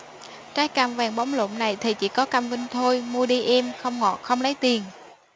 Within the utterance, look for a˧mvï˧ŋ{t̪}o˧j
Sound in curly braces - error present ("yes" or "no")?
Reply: yes